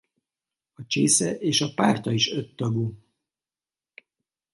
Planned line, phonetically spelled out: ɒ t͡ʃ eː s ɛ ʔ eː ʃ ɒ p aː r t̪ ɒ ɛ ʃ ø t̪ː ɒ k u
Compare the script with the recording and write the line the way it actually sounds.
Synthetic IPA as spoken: ɒ t͡ʃ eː s ɛ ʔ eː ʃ ɒ p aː r t̪ ɒ i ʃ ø t̪ː ɒ ɡ u

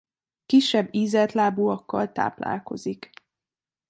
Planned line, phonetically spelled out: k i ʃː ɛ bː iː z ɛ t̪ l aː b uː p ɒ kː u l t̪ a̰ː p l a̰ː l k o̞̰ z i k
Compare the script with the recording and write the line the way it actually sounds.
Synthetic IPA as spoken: k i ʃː ɛ bː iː z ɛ t̪ l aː b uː ɒ kː ɒ l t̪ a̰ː p l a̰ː l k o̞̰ z i k

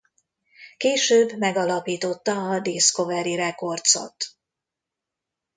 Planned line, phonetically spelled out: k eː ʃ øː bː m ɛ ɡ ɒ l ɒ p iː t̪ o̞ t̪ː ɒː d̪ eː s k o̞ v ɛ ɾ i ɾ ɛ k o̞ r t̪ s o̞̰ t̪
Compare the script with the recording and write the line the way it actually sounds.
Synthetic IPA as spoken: k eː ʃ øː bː m ɛ ɡ ɒ l ɒ p iː t̪ o̞ t̪ː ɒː d̪ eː s k o̞ v ɛ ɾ i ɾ ɛ k o̞ r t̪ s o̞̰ t̪

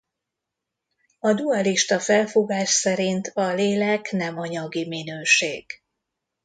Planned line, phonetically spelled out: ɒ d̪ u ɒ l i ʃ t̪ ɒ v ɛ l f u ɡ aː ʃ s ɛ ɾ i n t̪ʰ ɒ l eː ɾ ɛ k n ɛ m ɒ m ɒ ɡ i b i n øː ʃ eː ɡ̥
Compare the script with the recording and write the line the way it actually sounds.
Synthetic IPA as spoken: ɒ d̪ u ɒ l i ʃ t̪ ɒ f ɛ l f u ɡ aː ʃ s ɛ ɾ i n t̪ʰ ɒ l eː l ɛ k n ɛ m ɒ ɲ ɒ ɡ i m i n øː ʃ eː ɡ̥

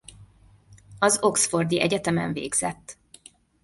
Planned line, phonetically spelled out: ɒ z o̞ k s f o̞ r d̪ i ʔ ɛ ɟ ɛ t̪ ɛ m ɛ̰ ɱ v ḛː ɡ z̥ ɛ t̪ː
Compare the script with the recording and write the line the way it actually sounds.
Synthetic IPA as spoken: ɒ z o̞ k s f o̞ r d̪ i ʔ ɛ ɟ ɛ t̪ ɛ m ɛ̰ ɱ v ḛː ɡ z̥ ɛ t̪ː

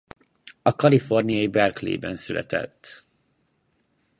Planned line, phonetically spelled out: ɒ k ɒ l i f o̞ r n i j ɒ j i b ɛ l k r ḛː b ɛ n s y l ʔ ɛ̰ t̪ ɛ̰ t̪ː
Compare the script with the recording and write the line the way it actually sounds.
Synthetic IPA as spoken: ɒ k ɒ l i f o̞ r n i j ɒ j i b ɛ r k l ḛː b ɛ n s y l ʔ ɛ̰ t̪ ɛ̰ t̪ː

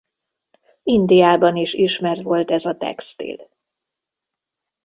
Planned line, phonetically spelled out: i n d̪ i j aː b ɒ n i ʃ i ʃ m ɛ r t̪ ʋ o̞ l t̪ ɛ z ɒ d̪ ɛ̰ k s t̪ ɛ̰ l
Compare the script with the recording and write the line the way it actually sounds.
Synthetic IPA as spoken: i n d̪ i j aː b ɒ n i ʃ i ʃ m ɛ r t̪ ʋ o̞ l t̪ ɛ z ɒ t̪ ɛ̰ k s t̪ ḭ l

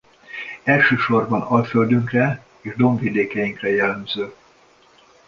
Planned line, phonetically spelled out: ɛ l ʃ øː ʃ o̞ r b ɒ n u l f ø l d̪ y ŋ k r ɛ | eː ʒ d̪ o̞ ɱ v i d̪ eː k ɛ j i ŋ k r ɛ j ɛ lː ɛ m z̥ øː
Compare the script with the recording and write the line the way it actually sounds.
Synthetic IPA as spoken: ɛ l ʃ øː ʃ o̞ r b ɒ n ɒ l f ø l d̪ y ŋ k r ɛ | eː ʒ d̪ o̞ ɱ v i d̪ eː k ɛ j i ŋ k r ɛ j ɛ lː ɛ m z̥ øː

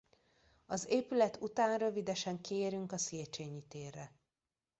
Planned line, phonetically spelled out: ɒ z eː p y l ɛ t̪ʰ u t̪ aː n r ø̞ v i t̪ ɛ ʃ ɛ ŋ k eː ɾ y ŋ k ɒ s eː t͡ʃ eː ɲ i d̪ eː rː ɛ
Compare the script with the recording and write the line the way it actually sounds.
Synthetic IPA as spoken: ɒ z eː p y l ɛ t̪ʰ u t̪ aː n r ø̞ v i d̪ ɛ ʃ ɛ ŋ k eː ɾ y ŋ k ɒ s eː t͡ʃ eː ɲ i t̪ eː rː ɛ

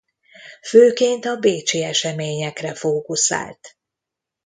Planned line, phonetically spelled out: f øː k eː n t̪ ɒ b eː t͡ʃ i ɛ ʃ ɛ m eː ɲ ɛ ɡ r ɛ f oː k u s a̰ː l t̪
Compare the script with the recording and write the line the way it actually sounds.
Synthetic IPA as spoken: f øː k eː n t̪ ɒ b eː t͡ʃ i ɛ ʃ ɛ m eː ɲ ɛ k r ɛ f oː k u s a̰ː l t̪

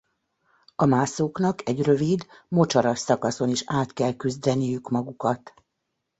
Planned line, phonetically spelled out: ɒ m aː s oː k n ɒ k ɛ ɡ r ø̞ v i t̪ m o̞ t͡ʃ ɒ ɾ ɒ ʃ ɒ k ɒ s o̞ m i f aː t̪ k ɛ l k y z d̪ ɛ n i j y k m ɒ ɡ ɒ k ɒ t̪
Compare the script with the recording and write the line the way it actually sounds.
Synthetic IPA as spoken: ɒ m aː s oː k n ɒ k ɛ ɟ r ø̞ v i d̪ m o̞ t͡ʃ ɒ ɾ ɒ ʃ ɒ k ɒ s o̞ n i ʃ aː t̪ k ɛ l k y z d̪ ɛ n i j y k m ɒ ɡ u k ɒ t̪

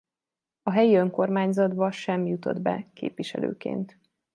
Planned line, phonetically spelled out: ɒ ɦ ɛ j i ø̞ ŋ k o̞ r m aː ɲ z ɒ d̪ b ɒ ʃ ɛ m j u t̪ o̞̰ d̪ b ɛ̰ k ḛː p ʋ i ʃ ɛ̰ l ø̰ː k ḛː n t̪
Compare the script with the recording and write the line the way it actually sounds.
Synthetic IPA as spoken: ɒ ɦ ɛ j i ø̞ ŋ k o̞ r m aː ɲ z ɒ d̪ b ɒ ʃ ɛ m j u t̪ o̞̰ d̪ b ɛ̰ k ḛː p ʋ i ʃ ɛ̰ l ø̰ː k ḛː n t̪

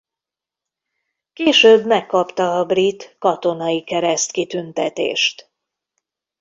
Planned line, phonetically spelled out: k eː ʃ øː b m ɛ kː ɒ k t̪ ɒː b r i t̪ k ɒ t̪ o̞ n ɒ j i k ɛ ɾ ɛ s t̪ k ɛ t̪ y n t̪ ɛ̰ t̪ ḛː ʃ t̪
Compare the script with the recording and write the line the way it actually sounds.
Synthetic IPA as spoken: k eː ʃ øː b m ɛ kː ɒ p t̪ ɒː b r i t̪ k ɒ t̪ o̞ n ɒ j i k ɛ ɾ ɛ s t̪ k i t̪ y n t̪ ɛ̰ t̪ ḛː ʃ t̪

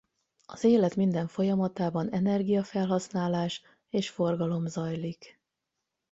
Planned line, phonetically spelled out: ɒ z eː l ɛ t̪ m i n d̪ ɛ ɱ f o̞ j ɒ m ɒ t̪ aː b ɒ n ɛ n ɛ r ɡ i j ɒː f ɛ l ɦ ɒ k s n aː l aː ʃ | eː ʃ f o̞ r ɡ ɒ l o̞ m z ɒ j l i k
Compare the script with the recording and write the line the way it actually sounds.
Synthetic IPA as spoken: ɒ z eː l ɛ t̪ m i n d̪ ɛ ɱ f o̞ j ɒ m ɒ t̪ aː b ɒ n ɛ n ɛ r ɡ i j ɒ f ɛ l ɦ ɒ s n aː l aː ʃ | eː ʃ f o̞ r ɡ ɒ l o̞ m z ɒ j l i k

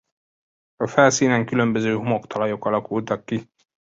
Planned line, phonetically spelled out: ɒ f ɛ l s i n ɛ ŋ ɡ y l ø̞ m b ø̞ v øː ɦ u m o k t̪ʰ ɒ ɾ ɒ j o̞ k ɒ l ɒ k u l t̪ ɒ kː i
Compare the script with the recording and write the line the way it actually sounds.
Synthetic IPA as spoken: ɒ f ɛ l s iː n ɛ ŋ k y l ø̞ m b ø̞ z øː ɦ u m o k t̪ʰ ɒ l ɒ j o̞ k ɒ l ɒ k u l t̪ ɒ kː i

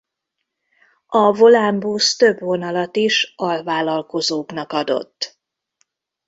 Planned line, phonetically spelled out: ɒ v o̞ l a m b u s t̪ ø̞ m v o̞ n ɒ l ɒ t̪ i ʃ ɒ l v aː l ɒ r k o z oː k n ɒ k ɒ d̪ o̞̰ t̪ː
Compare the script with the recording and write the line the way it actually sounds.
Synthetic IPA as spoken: ɒ v o̞ l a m b u s t̪ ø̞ b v o̞ n ɒ l ɒ t̪ i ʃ ɒ l v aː l ɒ l k o z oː k n ɒ k ɒ d̪ o̞̰ t̪ː

